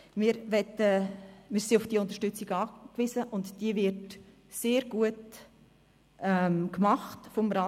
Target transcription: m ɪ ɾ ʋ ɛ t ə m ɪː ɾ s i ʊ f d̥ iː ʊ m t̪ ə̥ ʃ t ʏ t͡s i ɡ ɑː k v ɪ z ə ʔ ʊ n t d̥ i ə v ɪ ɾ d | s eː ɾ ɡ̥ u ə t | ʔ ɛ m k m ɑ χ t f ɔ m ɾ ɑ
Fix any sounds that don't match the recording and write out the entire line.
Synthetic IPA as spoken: m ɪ ɾ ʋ ɛ t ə m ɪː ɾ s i ʊ f d̥ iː ʊ n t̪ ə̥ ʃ t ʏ t͡s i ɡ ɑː k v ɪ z ə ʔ ʊ n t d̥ i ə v ɪ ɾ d | s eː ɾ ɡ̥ u ə t | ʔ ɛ m k m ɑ χ t f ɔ m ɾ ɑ